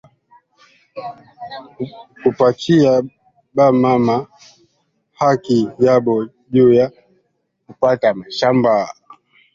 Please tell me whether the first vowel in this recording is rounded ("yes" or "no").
yes